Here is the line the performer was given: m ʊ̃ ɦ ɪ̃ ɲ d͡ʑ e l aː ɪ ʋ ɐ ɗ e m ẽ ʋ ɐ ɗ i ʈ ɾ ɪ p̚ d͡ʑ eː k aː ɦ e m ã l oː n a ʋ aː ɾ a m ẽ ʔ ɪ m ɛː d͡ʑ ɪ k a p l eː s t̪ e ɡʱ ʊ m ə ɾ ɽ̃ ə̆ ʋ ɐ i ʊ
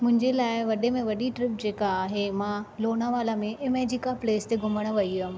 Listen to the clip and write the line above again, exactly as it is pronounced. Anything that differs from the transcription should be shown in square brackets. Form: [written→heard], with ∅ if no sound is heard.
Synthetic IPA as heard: m ʊ̃ ɦ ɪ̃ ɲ d͡ʑ e l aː ɪ ʋ ɐ ɗ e m ẽ ʋ ɐ ɗ i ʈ ɾ ɪ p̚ d͡ʑ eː k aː ɦ e m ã l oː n a ʋ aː [ɾ→l] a m ẽ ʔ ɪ m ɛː d͡ʑ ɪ k a p l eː s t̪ e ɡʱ ʊ m ə [ɾ→∅] ɽ̃ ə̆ ʋ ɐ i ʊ